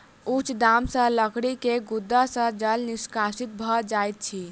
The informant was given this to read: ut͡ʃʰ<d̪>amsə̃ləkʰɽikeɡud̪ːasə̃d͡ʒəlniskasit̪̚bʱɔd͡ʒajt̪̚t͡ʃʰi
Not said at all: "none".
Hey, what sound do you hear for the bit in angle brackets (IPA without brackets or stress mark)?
d̪